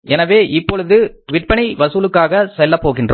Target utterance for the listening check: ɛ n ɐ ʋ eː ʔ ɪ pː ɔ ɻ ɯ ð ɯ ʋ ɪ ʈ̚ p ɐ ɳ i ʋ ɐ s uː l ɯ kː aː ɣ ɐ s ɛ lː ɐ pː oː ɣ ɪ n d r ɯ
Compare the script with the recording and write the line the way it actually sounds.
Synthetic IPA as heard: ɛ n ɐ ʋ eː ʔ ɪ pː ɔ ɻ ɯ ð ɯ ʋ ɪ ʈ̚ p ɐ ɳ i ʋ ɐ s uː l ɯ kː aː ɣ ɐ s ɛ lː ɐ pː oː ɣ ɪ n d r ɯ